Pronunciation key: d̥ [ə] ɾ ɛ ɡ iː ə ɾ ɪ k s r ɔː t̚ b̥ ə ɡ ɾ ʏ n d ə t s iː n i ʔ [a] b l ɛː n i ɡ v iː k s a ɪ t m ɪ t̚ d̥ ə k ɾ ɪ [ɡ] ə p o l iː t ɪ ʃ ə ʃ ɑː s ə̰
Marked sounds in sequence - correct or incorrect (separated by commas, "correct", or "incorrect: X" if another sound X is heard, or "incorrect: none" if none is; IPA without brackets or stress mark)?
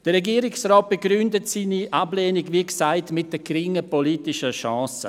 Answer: correct, correct, incorrect: ŋ